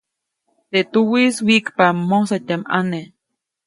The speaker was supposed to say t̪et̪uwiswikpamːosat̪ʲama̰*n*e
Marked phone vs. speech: correct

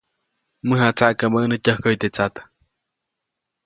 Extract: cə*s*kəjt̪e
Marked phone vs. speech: incorrect: h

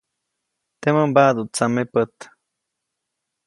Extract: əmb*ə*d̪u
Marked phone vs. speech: incorrect: a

